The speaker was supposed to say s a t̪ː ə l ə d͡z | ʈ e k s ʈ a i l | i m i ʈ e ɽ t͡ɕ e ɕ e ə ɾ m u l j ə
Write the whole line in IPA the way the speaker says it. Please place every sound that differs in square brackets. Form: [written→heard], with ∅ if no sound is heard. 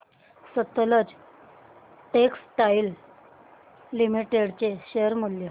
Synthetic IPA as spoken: s [a→ə] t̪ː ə l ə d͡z | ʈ e k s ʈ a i l | i m i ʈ e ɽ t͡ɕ e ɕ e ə ɾ m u l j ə